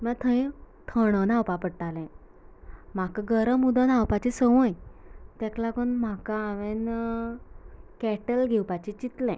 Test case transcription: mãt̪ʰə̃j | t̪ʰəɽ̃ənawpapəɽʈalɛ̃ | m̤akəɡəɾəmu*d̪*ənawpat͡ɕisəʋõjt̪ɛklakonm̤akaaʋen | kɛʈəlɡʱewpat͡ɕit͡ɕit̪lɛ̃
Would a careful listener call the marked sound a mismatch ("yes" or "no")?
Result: no